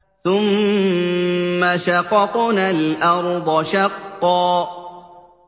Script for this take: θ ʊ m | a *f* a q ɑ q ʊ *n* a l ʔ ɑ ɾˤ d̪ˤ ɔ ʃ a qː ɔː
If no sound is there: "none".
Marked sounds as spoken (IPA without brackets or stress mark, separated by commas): ʃ, n